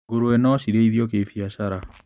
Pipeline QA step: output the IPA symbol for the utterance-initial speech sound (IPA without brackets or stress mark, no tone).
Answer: ɡ